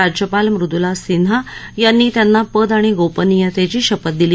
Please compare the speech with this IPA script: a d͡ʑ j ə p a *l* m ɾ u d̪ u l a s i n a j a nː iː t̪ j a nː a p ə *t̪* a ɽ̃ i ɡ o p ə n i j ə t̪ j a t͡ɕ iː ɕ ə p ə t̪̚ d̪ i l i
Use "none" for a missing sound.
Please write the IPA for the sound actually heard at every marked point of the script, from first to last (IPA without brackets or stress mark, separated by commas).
l, d̪